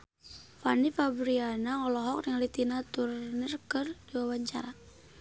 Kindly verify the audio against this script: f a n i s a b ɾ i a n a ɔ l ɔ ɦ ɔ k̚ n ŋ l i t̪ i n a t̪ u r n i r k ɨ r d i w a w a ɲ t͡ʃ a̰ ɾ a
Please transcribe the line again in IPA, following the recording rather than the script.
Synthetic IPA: f a n i f a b ɾ i a n a ɔ l ɔ ɦ ɔ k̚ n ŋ l i t̪ i n a t̪ u r n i r k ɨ r d i w a w a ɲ t͡ʃ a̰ ɾ a